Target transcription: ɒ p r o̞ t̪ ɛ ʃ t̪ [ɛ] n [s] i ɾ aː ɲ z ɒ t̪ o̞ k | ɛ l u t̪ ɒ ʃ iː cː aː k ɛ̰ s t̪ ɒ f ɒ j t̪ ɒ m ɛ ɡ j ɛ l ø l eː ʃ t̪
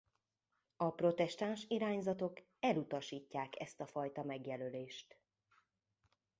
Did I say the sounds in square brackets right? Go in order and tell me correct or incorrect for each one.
incorrect, incorrect

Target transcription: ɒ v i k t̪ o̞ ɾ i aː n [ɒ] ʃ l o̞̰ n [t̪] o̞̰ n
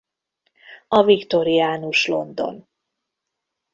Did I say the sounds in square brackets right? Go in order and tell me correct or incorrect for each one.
incorrect, incorrect

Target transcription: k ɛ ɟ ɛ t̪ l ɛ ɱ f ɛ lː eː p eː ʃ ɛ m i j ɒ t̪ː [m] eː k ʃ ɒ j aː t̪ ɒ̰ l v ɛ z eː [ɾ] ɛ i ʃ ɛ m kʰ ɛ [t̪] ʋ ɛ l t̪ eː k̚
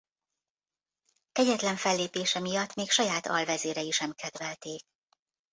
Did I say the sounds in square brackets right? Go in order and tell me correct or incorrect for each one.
correct, correct, incorrect

